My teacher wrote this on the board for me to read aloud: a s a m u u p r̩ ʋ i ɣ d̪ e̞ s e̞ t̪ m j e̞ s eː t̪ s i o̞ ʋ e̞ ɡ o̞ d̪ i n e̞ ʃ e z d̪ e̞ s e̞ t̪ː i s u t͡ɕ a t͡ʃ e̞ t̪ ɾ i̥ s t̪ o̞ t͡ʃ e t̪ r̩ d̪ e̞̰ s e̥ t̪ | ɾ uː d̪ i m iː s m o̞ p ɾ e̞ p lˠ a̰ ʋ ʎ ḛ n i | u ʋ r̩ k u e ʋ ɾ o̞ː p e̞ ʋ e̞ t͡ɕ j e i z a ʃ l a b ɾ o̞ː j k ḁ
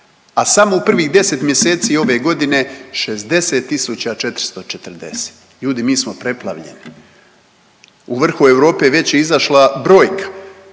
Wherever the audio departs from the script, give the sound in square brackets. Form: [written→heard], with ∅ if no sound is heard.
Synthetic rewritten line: a s a m [u→o] u p r̩ ʋ i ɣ d̪ e̞ s e̞ t̪ m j e̞ s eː t̪ s i o̞ ʋ e̞ ɡ o̞ d̪ i n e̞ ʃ e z d̪ e̞ s e̞ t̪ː i s u t͡ɕ a t͡ʃ e̞ t̪ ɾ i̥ s t̪ o̞ t͡ʃ e t̪ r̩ d̪ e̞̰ s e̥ t̪ | [ɾ→ʎ] uː d̪ i m iː s m o̞ p ɾ e̞ p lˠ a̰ ʋ ʎ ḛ n i | u ʋ r̩ [k→x] u e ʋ ɾ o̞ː p e̞ ʋ e̞ t͡ɕ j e i z a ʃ l a b ɾ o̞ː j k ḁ

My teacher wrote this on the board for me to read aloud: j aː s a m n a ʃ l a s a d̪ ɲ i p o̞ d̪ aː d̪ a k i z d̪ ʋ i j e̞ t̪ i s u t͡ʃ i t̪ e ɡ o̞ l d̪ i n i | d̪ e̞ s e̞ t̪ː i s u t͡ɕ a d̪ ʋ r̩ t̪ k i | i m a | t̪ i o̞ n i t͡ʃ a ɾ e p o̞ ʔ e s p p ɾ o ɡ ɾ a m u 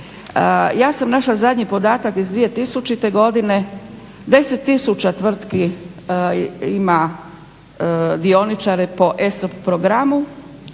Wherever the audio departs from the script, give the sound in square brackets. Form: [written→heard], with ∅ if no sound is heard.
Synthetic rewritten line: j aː s a m n a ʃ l a [s→z] a d̪ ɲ i p o̞ d̪ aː [d̪→t̪] a k i z d̪ ʋ i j e̞ t̪ i s u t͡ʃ i t̪ e ɡ o̞ [l→∅] d̪ i n [i→e] | d̪ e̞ s e̞ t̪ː i s u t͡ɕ a [d̪→t̪] ʋ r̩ t̪ k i | i m a | [t̪→d̪] i o̞ n i t͡ʃ a ɾ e p o̞ ʔ e s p p ɾ o ɡ ɾ a m u

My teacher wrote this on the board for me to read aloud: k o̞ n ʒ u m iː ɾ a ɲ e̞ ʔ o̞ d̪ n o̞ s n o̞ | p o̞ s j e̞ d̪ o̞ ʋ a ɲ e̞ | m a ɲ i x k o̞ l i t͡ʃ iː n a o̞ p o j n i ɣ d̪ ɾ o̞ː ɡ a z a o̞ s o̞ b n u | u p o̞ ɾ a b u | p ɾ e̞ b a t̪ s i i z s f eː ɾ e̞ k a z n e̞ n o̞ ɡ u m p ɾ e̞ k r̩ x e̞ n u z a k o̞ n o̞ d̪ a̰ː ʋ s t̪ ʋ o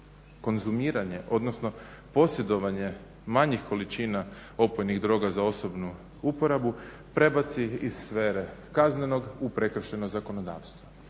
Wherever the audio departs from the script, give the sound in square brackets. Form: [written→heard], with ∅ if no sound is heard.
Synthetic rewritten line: k o̞ n [ʒ→z] u m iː ɾ a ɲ e̞ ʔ o̞ d̪ n o̞ s n o̞ | p o̞ s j e̞ d̪ o̞ ʋ a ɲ e̞ | m a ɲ i x k o̞ l i t͡ʃ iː n a o̞ p o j n i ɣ d̪ ɾ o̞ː ɡ a z a o̞ s o̞ b n u | u p o̞ ɾ a b u | p ɾ e̞ b a t̪ s i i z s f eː ɾ e̞ k a z n e̞ n o̞ ɡ u [m→∅] p ɾ e̞ k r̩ [x→ʃ] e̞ n [u→o] z a k o̞ n o̞ d̪ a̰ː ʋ s t̪ ʋ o

